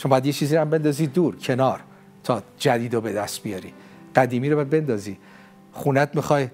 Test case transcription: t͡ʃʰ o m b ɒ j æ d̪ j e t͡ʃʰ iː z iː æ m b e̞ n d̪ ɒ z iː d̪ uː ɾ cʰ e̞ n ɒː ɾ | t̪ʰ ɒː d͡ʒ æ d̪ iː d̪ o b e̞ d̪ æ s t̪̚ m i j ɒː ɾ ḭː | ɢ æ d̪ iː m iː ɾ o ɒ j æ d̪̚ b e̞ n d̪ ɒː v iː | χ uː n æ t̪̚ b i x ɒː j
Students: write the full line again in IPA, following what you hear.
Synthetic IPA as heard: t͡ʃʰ o m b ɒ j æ d̪ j e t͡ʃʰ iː z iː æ m b e̞ n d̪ ɒ z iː d̪ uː ɾ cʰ e̞ n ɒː ɾ | t̪ʰ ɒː d͡ʒ æ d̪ iː d̪ o b e̞ d̪ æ s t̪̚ b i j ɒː ɾ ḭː | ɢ æ d̪ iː m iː ɾ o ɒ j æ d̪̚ b e̞ n d̪ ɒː z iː | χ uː n æ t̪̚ m i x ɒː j